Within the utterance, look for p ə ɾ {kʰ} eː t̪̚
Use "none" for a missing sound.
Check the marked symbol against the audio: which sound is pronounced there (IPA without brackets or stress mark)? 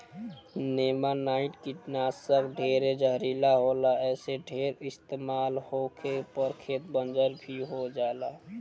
kʰ